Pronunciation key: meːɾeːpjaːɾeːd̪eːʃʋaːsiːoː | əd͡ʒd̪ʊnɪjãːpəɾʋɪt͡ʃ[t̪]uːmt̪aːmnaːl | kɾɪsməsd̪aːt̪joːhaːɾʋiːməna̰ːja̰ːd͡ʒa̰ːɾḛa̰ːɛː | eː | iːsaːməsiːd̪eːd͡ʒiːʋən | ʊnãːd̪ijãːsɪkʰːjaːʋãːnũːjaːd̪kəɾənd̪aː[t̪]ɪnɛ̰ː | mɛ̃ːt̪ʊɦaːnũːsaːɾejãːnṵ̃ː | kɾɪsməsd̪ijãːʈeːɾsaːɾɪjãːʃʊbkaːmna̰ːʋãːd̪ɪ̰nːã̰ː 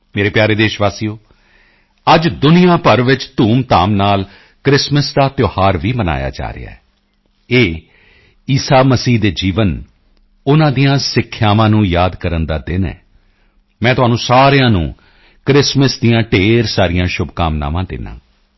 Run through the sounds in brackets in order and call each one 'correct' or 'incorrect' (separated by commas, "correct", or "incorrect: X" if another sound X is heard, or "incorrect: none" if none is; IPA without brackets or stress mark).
correct, incorrect: d̪